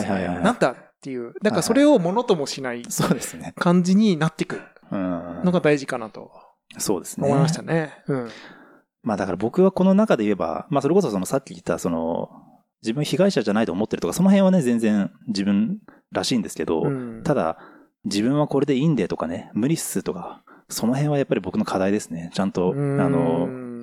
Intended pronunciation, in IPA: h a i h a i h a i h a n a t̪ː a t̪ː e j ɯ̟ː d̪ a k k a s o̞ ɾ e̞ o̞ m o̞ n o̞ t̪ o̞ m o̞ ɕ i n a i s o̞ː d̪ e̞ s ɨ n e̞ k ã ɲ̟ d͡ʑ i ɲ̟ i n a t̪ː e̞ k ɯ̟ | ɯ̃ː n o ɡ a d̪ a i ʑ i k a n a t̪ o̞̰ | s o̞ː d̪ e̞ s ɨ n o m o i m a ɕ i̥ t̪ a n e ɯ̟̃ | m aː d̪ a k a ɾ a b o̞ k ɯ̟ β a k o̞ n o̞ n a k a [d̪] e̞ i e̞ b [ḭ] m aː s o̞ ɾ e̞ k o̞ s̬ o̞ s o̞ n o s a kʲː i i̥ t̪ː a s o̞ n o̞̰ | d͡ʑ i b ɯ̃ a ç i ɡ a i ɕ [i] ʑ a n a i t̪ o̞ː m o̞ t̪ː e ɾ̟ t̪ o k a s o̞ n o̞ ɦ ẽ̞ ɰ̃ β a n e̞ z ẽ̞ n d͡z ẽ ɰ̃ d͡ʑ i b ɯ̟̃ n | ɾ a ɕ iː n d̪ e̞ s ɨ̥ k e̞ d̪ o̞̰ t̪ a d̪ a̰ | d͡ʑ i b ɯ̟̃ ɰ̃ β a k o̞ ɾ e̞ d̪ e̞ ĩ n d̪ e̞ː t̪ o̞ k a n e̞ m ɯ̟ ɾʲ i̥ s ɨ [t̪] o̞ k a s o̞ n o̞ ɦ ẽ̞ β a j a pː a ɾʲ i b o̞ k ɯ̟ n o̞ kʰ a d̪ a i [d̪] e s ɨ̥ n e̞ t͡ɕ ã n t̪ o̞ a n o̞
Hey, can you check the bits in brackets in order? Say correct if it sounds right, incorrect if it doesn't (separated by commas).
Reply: correct, incorrect, incorrect, correct, correct